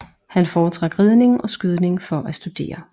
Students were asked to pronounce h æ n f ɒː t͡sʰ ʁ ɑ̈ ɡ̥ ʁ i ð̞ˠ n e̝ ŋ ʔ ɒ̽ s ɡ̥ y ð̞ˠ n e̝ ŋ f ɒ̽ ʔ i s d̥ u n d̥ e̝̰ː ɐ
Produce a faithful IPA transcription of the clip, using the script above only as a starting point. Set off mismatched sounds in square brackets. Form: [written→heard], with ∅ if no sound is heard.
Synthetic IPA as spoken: h æ n f ɒː t͡sʰ ʁ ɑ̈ ɡ̥ ʁ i ð̞ˠ n e̝ ŋ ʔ ɒ̽ s ɡ̥ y ð̞ˠ n e̝ ŋ f ɒ̽ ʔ [i→æ] s d̥ u [n→∅] d̥ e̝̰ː ɐ